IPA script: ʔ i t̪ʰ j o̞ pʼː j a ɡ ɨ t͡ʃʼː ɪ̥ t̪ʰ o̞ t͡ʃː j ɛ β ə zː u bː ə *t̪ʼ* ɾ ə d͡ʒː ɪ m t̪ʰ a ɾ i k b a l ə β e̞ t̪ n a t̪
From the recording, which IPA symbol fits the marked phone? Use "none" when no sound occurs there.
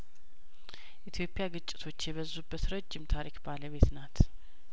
t̪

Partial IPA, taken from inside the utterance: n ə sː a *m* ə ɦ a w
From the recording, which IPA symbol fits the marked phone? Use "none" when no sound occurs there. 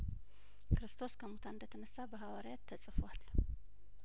b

